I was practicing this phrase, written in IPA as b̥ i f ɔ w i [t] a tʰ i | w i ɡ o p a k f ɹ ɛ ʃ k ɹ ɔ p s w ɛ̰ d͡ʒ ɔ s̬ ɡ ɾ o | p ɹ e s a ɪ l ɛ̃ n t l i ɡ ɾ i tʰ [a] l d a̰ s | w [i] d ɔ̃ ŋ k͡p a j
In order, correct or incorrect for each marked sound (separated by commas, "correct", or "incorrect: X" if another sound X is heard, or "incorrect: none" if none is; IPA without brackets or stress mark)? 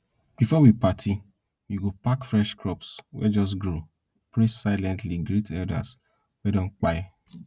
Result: incorrect: p, incorrect: ɛ, incorrect: ɛ